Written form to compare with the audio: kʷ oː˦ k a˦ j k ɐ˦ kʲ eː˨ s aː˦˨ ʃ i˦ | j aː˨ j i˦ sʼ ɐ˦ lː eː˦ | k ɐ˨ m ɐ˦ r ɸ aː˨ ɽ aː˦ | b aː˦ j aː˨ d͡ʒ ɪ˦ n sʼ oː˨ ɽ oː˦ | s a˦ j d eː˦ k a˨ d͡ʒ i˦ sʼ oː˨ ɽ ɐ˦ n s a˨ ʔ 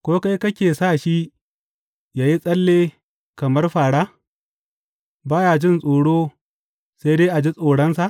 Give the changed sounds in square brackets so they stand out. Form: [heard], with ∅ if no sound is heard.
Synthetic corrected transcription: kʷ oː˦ k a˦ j k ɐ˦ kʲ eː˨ s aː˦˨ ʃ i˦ | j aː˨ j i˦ sʼ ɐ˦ lː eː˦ | k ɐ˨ m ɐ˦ r ɸ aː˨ ɽ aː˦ | b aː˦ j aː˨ d͡ʒ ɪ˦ n sʼ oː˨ ɽ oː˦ | s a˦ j d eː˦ [ʔ] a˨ d͡ʒ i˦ sʼ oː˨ ɽ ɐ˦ n s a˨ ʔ

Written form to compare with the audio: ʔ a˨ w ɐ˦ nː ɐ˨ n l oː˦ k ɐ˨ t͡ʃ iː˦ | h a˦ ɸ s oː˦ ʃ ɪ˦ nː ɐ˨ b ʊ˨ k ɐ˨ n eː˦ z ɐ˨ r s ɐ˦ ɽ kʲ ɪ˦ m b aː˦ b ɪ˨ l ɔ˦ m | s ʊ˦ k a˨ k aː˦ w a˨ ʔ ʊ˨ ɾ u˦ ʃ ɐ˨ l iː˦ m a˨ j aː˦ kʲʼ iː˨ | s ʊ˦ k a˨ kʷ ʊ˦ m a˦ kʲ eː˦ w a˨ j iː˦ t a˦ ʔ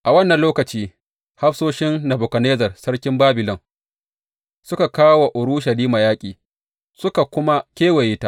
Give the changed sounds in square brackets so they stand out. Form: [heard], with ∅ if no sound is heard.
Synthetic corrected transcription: ʔ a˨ w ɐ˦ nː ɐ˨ n l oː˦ k ɐ˨ t͡ʃ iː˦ | h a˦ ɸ s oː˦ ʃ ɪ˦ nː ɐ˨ b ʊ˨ k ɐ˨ n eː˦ z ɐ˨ r s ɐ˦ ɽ kʲ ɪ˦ m b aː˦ b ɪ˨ l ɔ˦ [ŋ] | s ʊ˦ k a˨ k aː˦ w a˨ ʔ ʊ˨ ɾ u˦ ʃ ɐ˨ l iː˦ m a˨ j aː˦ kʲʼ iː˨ | s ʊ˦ k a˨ kʷ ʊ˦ m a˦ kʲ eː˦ w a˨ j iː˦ t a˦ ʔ

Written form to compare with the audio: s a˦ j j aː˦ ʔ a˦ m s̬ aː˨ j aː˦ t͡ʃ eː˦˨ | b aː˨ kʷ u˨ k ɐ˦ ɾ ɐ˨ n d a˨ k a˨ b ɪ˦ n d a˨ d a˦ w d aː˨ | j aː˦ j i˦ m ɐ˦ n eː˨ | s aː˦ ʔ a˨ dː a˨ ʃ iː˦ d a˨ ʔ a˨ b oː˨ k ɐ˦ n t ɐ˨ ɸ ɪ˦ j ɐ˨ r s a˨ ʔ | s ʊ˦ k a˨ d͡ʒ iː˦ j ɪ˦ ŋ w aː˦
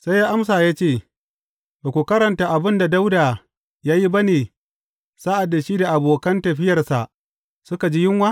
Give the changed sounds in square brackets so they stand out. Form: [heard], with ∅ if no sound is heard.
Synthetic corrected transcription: s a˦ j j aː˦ ʔ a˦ m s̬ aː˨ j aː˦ t͡ʃ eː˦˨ | b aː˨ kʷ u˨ k ɐ˦ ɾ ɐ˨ n [t] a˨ [ʔ] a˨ b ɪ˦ n d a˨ d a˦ w d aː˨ | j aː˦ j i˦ [b] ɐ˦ n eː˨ | s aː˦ ʔ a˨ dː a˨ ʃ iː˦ d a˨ ʔ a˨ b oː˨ k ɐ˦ n t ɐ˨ ɸ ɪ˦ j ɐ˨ r s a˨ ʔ | s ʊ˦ k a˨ d͡ʒ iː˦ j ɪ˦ ŋ w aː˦

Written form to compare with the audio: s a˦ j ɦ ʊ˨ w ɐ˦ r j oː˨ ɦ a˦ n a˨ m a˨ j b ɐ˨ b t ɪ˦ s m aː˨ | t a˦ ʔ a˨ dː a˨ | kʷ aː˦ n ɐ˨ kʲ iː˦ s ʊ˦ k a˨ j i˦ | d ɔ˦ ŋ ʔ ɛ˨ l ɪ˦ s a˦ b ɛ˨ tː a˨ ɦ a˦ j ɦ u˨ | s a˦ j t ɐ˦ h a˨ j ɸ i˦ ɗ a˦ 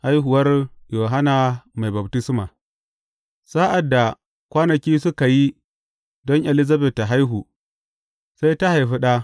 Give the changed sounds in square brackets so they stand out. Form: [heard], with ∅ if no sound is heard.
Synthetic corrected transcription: [h] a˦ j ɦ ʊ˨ w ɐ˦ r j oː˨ ɦ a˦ n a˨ m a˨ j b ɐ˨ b t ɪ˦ s m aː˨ | [s] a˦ ʔ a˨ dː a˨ | kʷ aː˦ n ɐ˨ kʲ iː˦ s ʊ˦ k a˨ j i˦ | d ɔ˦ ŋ ʔ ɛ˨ l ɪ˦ [z] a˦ b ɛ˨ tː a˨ ɦ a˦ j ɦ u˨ | s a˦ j t [a˦] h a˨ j ɸ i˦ ɗ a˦

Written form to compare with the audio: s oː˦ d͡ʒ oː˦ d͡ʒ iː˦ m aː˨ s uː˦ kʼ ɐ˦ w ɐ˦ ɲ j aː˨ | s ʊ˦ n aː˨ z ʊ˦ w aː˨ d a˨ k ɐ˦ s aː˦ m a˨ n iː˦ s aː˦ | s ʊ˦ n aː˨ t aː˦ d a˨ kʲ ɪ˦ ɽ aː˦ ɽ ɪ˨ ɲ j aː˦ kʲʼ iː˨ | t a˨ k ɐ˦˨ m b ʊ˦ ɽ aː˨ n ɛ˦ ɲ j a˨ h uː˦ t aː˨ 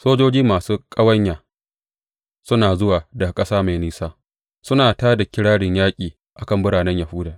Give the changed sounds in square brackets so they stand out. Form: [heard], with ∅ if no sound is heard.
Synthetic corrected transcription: s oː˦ d͡ʒ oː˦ d͡ʒ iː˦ m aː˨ s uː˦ kʼ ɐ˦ w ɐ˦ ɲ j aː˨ | s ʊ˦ n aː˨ z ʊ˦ w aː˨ d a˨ [kʼ] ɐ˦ s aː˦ m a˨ n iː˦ s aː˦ | s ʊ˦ n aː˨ t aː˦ d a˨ kʲ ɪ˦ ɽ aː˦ ɽ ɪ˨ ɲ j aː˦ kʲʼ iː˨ | [ʔ] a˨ k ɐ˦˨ m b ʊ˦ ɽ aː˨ n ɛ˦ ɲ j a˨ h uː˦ [d] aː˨

